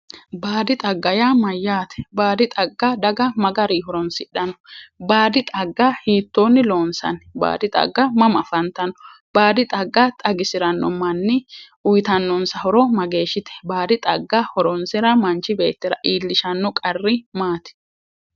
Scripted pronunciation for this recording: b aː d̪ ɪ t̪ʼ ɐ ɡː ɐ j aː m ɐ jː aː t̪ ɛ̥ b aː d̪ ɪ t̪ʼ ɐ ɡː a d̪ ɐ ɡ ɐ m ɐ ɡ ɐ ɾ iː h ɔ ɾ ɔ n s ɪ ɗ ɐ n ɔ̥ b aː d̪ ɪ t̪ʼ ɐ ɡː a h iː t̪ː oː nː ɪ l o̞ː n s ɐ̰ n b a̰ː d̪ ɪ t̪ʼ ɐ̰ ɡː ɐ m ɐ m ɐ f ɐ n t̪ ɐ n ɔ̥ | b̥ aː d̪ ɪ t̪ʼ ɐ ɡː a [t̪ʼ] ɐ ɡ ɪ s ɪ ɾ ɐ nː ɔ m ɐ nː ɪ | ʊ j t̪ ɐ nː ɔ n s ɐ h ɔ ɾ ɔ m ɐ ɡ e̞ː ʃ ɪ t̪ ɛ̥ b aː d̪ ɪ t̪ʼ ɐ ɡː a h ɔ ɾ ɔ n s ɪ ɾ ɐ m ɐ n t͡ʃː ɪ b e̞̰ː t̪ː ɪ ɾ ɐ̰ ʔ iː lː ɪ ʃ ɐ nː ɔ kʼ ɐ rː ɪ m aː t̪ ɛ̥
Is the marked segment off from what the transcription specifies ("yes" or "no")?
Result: no